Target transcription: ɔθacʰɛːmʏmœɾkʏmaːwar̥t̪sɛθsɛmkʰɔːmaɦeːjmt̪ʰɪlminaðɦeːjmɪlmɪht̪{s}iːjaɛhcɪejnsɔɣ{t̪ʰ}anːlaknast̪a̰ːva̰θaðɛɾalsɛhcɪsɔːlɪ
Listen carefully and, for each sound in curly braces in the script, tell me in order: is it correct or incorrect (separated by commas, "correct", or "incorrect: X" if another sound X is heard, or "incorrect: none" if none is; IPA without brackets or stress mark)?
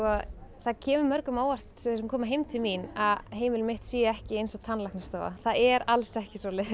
correct, correct